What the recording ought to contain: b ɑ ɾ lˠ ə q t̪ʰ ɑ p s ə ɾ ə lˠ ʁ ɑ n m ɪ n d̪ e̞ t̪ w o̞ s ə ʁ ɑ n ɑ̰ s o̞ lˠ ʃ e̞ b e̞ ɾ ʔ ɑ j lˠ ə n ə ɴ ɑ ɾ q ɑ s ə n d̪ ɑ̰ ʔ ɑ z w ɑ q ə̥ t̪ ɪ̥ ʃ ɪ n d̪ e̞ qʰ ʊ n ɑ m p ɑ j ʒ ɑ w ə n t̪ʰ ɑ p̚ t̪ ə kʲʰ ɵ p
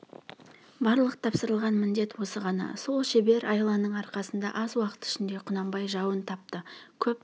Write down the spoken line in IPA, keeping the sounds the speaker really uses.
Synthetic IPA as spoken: b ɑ ɾ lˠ ə q t̪ʰ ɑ p s ə ɾ ə lˠ ʁ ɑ n m ɪ n d̪ e̞ t̪ w o̞ s ə ʁ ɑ n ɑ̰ s o̞ lˠ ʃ e̞ b e̞ ɾ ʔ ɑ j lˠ ɑ n ə ɴ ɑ ɾ q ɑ s ə n d̪ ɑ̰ ʔ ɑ z w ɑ q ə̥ t̪ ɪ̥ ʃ ɪ n d̪ e̞ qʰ ʊ n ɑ m b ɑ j ʒ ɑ w ə n t̪ʰ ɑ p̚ t̪ ə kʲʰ ɵ p

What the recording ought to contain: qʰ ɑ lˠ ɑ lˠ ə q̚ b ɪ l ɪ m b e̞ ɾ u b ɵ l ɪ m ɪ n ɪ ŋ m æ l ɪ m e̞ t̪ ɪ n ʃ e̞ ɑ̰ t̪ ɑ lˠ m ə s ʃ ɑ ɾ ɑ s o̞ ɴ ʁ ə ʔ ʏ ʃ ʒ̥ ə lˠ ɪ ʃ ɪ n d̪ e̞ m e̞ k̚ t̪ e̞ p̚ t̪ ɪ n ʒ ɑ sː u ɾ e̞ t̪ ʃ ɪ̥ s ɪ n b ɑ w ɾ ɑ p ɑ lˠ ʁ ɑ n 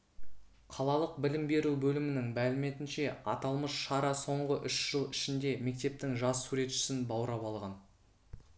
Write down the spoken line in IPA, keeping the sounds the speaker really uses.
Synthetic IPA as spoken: qʰ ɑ lˠ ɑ lˠ ə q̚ b ɪ l ɪ m b e̞ ɾ u b ɵ l ɪ m ɪ n ɪ ŋ m æ l ɪ m e̞ t̪ ɪ n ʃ e̞ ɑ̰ t̪ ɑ lˠ m ə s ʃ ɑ ɾ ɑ s o̞ ɴ ʁ ə ʔ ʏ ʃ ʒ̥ ə lˠ ɪ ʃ ɪ n d̪ e̞ m e̞ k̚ t̪ e̞ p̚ t̪ ɪ ŋ ʒ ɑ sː u ɾ e̞ t̪ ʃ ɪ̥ s ɪ n b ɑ w ɾ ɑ p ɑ lˠ ʁ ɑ n

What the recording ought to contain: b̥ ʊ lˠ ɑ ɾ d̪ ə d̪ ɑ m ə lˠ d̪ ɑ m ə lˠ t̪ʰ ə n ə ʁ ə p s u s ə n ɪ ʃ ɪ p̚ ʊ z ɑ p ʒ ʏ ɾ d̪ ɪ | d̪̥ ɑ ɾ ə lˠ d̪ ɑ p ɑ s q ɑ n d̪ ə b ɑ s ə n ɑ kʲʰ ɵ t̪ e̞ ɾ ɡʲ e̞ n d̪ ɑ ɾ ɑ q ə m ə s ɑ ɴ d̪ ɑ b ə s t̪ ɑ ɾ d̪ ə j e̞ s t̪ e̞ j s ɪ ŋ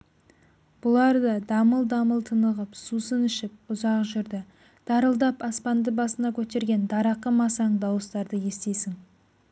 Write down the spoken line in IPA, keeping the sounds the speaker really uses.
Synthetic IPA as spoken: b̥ ʊ lˠ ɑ ɾ d̪ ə d̪ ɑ m ə lˠ d̪ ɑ m ə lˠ t̪ʰ ə n ə ʁ ə p s u s ə n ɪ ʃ ɪ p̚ ʊ z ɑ q ʒ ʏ ɾ d̪ ɪ | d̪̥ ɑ ɾ ə lˠ d̪ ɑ p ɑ s p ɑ n d̪ ə b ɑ s ə n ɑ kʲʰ ɵ t̪ e̞ ɾ ɡʲ e̞ n d̪ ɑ ɾ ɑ q ə m ɑ s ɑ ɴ d̪ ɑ w ə s t̪ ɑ ɾ d̪ ə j e̞ s t̪ e̞ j s ɪ ŋ

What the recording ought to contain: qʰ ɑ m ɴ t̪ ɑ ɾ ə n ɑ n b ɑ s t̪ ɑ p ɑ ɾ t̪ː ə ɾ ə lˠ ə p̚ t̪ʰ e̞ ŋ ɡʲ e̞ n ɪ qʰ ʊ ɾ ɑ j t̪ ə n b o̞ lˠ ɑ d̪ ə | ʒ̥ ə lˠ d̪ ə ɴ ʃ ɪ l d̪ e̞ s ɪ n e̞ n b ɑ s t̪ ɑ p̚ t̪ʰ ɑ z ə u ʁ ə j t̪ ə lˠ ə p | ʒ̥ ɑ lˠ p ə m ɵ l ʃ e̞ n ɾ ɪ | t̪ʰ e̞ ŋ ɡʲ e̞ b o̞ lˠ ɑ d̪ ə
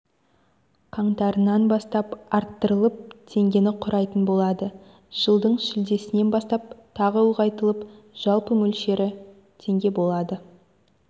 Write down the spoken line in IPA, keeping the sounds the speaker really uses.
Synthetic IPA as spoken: qʰ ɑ ɴ t̪ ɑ ɾ ə n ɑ n b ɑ s t̪ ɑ p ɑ ɾ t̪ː ə ɾ ə lˠ ə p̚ t̪ʰ e̞ ŋ ɡʲ e̞ n ɪ qʰ ʊ ɾ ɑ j t̪ ə n b o̞ lˠ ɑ d̪ ə | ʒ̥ ə lˠ d̪ ə ɴ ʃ ɪ l d̪ e̞ s ɪ n e̞ n b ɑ s t̪ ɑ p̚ t̪ʰ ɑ ʁ ə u ʁ ɑ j t̪ ə lˠ ə p | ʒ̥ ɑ lˠ p ə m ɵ l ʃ e̞ ɾ ɪ | t̪ʰ e̞ ŋ ɡʲ e̞ b o̞ lˠ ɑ d̪ ə

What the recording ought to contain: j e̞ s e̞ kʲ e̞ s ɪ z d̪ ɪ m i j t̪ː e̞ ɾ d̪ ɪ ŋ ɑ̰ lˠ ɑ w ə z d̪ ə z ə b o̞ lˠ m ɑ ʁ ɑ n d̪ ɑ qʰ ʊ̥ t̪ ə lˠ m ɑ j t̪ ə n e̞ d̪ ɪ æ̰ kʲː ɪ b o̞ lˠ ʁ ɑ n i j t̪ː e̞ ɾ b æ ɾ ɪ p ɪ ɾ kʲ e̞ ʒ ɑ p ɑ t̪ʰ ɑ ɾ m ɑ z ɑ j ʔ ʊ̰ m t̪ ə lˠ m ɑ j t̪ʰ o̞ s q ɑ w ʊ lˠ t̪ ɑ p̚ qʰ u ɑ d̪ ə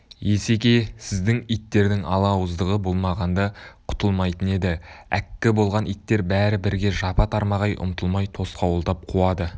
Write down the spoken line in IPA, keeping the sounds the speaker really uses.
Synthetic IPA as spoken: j e̞ s e̞ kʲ e̞ s ɪ z d̪ ɪ ŋ i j t̪ː e̞ ɾ d̪ ɪ ŋ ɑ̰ lˠ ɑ w ə z d̪ ə ʁ ə b o̞ lˠ m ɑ ʁ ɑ n d̪ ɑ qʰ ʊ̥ t̪ ə lˠ m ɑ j t̪ ə n e̞ d̪ ɪ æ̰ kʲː ɪ b o̞ lˠ ʁ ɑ n i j t̪ː e̞ ɾ b æ ɾ ɪ b ɪ ɾ ɡʲ e̞ ʒ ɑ p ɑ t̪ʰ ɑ ɾ m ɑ ʁ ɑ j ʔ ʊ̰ m t̪ ə lˠ m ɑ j t̪ʰ o̞ s q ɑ w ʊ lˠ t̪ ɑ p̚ qʰ u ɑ d̪ ə

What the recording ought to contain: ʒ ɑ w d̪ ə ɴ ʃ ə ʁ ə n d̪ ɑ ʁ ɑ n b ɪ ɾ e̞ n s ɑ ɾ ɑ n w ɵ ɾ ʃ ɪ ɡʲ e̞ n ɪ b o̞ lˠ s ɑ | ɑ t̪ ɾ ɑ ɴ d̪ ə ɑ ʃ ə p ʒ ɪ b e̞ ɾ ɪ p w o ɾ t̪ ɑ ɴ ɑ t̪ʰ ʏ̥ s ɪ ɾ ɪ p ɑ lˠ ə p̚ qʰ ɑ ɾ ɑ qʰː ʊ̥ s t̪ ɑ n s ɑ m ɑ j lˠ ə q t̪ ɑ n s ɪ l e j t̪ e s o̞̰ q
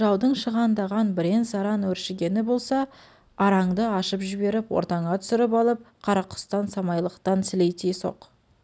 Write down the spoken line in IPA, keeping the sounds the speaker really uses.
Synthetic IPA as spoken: ʒ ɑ w d̪ ə ɴ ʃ ə ʁ ɑ n d̪ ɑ ʁ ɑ n b ɪ ɾ e̞ n s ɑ ɾ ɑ n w ɵ ɾ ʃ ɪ ɡʲ e̞ n ɪ b o̞ lˠ s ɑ | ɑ ɾ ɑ ɴ d̪ ə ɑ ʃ ə p ʒ ɪ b e̞ ɾ ɪ p w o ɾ t̪ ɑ ɴ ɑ t̪ʰ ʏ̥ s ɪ ɾ ɪ p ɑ lˠ ə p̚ qʰ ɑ ɾ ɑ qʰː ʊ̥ s t̪ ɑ n s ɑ m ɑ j lˠ ə q t̪ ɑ n s ɪ l e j t̪ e s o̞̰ q

